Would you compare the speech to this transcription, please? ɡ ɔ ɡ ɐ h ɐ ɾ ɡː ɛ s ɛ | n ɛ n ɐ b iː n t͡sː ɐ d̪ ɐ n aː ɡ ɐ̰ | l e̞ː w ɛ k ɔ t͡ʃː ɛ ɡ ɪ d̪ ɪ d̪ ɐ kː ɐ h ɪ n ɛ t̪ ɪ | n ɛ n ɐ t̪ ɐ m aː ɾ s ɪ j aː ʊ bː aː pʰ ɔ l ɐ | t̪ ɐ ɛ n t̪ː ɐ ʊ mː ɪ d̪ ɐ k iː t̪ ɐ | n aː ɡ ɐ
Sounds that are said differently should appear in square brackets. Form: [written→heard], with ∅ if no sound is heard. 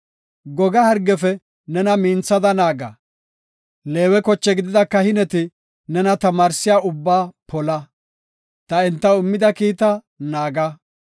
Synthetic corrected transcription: ɡ ɔ ɡ ɐ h ɐ ɾ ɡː ɛ [s→f] ɛ | n ɛ n ɐ [b→m] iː n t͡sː ɐ d̪ ɐ n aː ɡ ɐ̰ | l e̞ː w ɛ k ɔ t͡ʃː ɛ ɡ ɪ d̪ ɪ d̪ ɐ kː ɐ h ɪ n ɛ t̪ ɪ | n ɛ n ɐ t̪ ɐ m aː ɾ s ɪ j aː ʊ bː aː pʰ ɔ l ɐ | t̪ ɐ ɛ n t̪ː ɐ ʊ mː ɪ d̪ ɐ k iː t̪ ɐ | n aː ɡ ɐ